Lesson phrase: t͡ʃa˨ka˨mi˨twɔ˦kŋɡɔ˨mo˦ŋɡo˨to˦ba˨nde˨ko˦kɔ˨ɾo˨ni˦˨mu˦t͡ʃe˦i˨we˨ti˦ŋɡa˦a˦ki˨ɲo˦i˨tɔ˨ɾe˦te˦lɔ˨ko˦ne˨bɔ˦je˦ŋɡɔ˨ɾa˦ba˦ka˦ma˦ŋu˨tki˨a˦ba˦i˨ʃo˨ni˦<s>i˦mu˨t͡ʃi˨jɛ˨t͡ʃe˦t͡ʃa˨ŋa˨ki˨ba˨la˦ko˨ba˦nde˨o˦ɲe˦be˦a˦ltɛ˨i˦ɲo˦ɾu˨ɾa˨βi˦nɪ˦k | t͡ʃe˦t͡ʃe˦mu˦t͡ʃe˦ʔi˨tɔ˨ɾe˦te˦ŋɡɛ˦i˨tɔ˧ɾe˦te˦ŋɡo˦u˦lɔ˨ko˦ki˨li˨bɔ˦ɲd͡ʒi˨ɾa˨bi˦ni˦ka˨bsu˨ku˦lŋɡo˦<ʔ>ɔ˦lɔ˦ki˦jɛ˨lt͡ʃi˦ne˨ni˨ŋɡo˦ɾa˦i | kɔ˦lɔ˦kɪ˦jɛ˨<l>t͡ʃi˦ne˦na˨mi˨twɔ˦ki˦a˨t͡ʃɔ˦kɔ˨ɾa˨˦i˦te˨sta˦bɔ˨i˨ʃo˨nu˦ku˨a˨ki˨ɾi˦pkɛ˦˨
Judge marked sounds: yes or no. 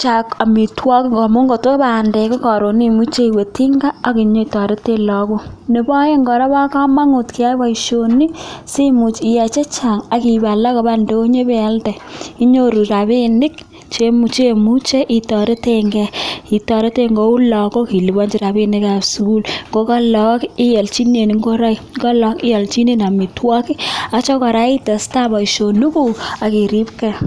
yes, no, yes

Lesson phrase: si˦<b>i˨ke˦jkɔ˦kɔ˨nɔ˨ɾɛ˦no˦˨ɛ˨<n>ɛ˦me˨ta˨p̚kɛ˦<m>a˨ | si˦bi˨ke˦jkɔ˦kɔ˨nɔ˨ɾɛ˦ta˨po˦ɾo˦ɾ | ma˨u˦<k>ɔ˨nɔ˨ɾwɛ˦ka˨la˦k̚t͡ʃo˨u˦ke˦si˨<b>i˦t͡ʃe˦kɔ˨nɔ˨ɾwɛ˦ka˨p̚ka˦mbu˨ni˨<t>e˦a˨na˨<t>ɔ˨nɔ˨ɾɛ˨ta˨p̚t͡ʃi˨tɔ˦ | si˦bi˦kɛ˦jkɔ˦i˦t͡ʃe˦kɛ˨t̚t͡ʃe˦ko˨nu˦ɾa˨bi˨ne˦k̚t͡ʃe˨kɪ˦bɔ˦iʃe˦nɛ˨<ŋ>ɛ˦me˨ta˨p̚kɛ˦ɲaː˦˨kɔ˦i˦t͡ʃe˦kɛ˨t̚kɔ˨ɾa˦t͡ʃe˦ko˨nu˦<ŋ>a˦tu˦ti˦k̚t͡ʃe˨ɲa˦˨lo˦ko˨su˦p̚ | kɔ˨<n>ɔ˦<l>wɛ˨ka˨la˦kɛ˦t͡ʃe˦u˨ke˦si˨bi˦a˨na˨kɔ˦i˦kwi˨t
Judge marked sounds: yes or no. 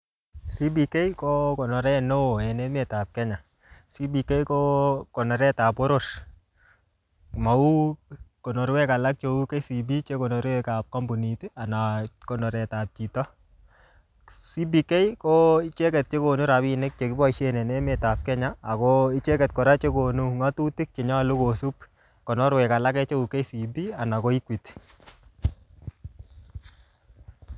yes, yes, no, yes, yes, yes, no, no, yes, yes, no

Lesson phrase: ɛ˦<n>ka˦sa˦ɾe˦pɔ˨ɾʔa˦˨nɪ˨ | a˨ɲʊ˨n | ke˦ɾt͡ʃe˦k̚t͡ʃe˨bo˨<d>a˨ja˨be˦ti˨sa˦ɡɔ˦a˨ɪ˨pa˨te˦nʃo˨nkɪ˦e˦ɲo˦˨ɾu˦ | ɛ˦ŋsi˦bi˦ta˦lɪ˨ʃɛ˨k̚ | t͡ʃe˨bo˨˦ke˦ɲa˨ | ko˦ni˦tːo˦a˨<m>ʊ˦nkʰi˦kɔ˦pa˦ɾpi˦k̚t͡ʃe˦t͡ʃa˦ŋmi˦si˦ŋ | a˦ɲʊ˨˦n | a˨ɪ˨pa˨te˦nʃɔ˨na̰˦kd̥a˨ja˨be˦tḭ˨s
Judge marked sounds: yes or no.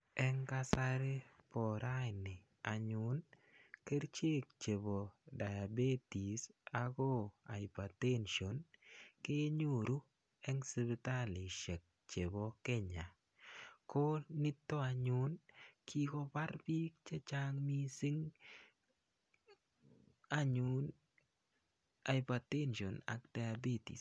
no, yes, no

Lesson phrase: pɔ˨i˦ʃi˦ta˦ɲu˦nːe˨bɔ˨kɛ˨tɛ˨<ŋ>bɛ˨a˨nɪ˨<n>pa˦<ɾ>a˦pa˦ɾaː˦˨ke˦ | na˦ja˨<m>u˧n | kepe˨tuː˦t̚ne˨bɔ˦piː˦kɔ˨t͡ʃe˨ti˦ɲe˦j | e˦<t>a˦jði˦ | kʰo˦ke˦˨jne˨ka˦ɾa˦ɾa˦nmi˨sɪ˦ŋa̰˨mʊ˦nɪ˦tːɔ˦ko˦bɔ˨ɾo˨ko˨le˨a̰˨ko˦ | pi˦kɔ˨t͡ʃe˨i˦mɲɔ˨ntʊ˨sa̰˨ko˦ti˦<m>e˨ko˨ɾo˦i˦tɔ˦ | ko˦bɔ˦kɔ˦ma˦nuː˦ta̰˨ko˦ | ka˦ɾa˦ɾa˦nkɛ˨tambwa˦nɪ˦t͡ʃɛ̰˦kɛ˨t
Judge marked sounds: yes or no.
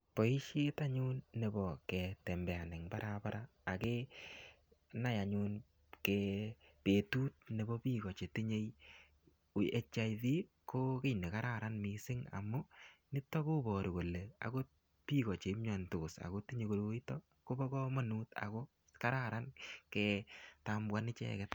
no, no, yes, no, no, no

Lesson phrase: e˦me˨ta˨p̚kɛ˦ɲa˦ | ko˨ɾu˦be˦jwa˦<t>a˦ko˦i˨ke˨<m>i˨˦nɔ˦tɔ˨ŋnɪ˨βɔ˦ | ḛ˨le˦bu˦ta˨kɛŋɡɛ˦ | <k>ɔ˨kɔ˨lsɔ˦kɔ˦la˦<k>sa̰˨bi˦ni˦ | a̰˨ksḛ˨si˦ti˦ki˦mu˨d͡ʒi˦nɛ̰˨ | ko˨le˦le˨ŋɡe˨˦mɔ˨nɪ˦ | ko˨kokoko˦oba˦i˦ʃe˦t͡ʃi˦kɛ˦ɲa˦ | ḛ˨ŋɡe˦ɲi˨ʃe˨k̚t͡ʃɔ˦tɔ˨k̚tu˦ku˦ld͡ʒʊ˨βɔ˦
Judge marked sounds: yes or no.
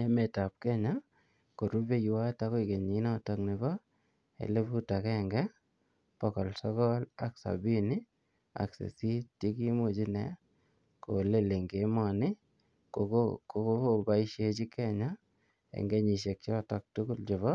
yes, no, no, yes

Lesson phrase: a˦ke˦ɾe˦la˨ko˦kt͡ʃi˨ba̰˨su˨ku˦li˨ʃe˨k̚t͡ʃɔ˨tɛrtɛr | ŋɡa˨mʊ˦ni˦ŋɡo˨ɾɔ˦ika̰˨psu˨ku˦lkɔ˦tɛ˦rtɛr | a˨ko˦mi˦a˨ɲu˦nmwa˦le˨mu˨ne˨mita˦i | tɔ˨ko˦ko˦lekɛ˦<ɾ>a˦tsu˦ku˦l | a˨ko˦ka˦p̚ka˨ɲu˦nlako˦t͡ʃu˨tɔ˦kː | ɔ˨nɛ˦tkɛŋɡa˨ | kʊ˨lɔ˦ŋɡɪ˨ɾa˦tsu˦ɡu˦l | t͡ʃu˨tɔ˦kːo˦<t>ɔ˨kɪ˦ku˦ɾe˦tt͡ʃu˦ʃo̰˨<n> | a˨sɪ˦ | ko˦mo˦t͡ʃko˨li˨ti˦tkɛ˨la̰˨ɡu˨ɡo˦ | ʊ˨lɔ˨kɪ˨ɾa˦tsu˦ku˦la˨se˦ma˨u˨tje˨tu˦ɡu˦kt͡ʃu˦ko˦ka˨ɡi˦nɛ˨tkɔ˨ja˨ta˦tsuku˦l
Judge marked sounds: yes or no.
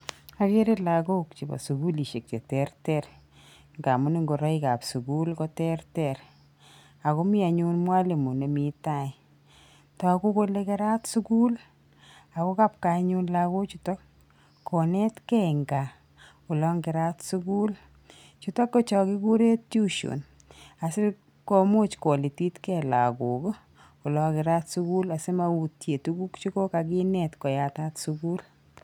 yes, no, yes

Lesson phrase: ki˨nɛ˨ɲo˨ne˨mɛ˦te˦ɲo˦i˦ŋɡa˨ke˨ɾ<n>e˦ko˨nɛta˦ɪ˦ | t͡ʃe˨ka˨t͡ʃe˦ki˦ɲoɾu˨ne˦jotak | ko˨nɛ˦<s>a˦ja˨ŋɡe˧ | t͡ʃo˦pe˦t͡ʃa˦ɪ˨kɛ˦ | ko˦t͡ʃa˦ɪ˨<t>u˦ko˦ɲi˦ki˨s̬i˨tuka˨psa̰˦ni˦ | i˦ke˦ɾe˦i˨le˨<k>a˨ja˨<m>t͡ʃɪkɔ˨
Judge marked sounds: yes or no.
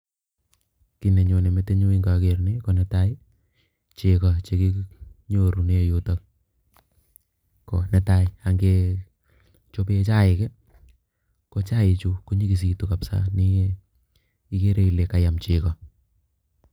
yes, no, no, yes, yes

